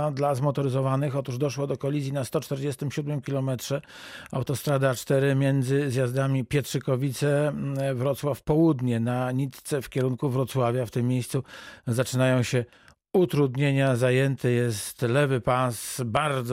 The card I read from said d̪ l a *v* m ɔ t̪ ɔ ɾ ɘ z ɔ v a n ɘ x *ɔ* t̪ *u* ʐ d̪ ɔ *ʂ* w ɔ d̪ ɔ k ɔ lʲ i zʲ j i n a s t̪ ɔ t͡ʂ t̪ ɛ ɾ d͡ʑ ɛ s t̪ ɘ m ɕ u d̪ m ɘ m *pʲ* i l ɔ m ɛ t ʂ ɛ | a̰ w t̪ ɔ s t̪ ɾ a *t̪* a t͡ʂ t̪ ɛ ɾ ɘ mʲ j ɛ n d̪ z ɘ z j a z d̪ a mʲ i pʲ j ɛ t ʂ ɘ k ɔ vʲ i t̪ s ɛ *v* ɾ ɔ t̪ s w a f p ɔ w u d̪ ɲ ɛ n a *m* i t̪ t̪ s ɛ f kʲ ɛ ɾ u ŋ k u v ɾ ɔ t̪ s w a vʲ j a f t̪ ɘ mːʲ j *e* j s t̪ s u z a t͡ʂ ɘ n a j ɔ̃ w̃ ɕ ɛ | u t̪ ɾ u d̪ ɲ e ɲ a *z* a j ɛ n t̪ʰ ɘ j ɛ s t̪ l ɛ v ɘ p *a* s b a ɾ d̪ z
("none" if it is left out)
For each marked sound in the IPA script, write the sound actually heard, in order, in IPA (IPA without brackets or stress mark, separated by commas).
z, ɔ, u, ʂ, kʲ, d̪, v, ɲ, e, z, a